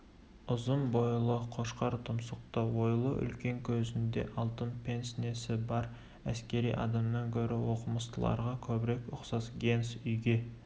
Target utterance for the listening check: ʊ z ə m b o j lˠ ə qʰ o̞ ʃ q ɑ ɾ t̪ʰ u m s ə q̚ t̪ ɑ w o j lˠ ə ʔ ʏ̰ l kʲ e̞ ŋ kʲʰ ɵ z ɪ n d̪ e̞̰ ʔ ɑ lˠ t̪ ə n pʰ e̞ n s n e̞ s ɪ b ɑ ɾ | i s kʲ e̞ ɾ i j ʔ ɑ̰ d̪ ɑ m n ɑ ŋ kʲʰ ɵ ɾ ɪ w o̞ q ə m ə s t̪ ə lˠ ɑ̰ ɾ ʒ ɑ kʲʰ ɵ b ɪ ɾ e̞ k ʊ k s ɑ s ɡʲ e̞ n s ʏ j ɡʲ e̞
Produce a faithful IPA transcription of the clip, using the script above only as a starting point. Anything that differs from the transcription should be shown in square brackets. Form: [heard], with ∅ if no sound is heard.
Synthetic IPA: ʊ z ə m b o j lˠ ə qʰ o̞ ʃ q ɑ ɾ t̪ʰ [ʊ] m s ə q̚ t̪ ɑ w o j lˠ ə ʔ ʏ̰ l kʲ e̞ ŋ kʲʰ ɵ z ɪ n d̪ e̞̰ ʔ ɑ lˠ t̪ ə n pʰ e̞ n s n e̞ s ɪ b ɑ ɾ | [æ] s kʲ e̞ ɾ i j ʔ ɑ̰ d̪ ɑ m n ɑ ŋ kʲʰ ɵ ɾ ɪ w o̞ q ə m ə s t̪ ə lˠ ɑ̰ ɾ [ʁ] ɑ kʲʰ ɵ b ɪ ɾ e̞ k ʊ [q] s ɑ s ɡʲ e̞ n s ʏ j ɡʲ e̞